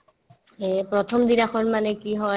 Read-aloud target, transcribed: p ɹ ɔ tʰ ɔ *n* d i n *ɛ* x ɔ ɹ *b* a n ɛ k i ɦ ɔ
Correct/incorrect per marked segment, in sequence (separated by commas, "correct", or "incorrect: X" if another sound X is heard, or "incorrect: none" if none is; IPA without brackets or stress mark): incorrect: m, incorrect: a, incorrect: m